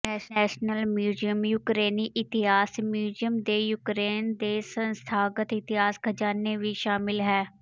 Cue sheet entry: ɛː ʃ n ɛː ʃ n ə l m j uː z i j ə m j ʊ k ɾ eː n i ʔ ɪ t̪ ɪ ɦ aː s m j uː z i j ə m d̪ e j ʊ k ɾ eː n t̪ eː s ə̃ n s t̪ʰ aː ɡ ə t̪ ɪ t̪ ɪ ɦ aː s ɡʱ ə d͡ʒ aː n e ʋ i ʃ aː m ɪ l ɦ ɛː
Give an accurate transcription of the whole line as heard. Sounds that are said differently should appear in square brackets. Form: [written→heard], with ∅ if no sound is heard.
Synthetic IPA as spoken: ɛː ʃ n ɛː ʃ n ə l m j uː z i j ə m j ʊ k ɾ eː n i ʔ ɪ t̪ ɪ ɦ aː s m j uː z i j ə m d̪ e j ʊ k ɾ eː n [t̪→d̪] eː s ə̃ n s t̪ʰ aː ɡ ə t̪ ɪ t̪ ɪ ɦ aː s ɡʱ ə d͡ʒ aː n e ʋ i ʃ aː m ɪ l ɦ ɛː